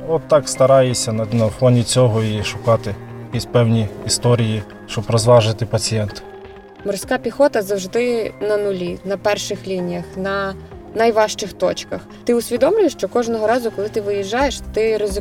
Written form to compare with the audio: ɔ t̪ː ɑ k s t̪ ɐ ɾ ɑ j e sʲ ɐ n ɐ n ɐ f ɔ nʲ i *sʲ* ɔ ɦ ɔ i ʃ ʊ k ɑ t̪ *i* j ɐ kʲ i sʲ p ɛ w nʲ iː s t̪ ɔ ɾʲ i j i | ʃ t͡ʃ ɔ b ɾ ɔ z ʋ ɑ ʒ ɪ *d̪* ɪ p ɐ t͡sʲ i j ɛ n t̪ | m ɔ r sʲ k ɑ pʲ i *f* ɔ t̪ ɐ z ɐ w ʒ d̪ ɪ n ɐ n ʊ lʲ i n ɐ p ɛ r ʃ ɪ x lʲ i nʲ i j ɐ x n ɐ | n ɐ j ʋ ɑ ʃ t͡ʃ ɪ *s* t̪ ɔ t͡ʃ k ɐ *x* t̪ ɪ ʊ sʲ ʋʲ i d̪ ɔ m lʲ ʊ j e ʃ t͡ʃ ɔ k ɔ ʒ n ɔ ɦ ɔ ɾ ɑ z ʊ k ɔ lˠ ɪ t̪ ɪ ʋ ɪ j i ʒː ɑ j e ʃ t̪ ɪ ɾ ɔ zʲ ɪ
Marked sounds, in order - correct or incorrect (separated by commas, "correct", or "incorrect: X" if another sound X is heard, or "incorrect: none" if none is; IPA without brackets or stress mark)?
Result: incorrect: t͡sʲ, incorrect: ɪ, incorrect: t̪, incorrect: x, incorrect: x, correct